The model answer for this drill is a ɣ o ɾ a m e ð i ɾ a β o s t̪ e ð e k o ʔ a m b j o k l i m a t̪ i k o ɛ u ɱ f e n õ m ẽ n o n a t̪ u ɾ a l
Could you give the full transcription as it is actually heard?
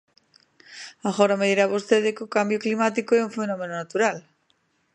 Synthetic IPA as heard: a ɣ o ɾ a m e ð i ɾ a β o s t̪ e ð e k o k a m b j o k l i m a t̪ i k o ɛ u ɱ f e n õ m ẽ n o n a t̪ u ɾ a l